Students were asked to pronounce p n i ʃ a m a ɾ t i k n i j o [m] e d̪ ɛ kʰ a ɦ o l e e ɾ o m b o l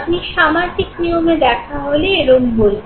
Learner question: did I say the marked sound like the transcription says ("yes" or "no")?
yes